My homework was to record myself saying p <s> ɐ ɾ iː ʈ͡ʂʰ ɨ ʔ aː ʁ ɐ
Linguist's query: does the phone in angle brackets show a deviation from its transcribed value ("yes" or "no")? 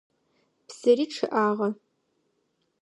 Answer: no